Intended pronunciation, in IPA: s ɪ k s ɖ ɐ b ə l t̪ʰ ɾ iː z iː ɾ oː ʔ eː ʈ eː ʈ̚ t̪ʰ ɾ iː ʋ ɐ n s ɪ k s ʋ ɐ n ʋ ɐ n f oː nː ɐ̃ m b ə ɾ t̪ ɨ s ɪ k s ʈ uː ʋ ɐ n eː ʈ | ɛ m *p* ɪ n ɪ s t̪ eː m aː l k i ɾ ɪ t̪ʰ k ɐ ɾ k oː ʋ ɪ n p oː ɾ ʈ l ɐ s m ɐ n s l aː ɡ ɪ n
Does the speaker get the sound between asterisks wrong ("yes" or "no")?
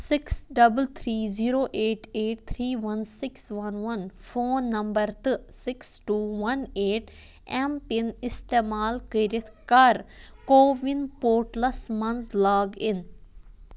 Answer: no